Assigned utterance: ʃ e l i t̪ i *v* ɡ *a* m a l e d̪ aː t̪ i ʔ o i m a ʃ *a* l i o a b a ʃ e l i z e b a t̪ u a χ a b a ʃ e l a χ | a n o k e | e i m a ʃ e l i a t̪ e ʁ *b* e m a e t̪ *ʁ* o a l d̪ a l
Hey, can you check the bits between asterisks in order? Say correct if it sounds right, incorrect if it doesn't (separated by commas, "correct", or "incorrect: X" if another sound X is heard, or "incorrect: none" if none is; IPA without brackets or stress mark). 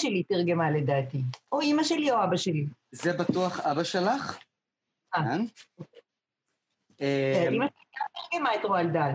incorrect: ʁ, incorrect: e, incorrect: e, incorrect: ɡ, correct